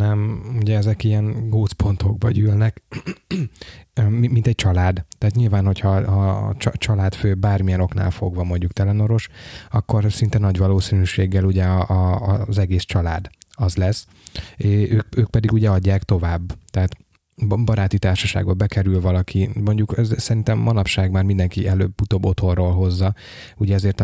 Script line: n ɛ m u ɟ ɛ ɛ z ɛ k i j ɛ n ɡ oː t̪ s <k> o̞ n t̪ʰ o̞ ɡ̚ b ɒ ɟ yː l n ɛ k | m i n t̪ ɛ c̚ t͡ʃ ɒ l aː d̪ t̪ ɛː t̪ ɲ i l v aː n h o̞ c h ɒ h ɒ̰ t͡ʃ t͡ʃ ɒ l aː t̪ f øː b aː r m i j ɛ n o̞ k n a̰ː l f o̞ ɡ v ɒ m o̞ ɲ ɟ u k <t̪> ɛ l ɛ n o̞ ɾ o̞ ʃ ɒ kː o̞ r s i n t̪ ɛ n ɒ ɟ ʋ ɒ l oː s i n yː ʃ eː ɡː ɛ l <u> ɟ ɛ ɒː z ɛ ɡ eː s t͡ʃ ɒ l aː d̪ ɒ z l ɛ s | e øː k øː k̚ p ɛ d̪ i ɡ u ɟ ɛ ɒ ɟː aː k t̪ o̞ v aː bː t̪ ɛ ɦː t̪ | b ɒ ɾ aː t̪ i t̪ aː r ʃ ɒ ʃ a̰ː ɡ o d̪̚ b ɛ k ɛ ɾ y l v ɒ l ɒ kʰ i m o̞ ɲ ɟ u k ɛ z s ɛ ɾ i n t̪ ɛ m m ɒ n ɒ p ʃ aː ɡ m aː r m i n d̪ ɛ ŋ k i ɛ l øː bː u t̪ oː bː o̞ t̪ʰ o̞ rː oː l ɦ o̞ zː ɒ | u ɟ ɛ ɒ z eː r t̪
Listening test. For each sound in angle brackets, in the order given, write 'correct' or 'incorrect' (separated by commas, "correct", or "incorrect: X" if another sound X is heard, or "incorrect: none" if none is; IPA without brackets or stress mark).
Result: incorrect: p, correct, correct